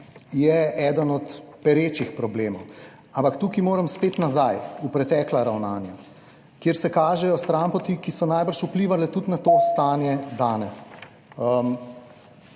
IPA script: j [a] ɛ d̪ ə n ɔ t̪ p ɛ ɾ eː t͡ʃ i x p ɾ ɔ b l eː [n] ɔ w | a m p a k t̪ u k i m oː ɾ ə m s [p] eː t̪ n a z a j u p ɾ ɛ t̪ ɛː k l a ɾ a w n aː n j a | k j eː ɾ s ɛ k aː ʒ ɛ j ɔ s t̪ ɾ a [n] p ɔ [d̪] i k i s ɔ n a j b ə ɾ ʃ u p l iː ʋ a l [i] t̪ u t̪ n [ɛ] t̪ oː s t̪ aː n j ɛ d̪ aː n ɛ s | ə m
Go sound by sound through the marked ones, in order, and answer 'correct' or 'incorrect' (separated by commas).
incorrect, incorrect, correct, incorrect, incorrect, incorrect, incorrect